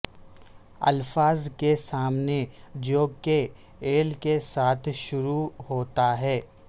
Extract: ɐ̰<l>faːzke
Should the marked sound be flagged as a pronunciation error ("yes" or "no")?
no